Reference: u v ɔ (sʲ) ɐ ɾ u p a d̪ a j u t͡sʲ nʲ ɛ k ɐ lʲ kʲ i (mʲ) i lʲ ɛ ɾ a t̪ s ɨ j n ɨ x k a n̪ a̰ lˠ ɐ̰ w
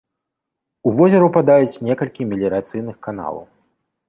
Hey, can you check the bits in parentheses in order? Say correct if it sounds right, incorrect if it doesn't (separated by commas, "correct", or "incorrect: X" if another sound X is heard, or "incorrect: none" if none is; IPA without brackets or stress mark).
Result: incorrect: zʲ, correct